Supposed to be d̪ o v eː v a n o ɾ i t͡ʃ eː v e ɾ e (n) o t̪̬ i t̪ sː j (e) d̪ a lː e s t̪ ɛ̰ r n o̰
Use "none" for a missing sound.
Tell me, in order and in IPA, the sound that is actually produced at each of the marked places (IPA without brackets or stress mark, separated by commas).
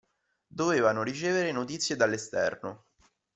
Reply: n, e